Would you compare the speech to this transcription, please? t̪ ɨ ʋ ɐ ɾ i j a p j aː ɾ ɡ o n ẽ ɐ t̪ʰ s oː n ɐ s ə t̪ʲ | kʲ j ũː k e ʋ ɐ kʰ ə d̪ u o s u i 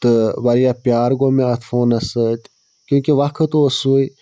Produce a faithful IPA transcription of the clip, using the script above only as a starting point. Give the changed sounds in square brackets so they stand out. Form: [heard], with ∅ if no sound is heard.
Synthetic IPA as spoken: t̪ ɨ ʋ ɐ ɾ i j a p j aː ɾ ɡ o [m] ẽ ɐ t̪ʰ [f] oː n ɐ s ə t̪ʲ | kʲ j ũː k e ʋ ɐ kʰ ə [t̪] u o s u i